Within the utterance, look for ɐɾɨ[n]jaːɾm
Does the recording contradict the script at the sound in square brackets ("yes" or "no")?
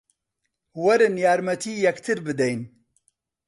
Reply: no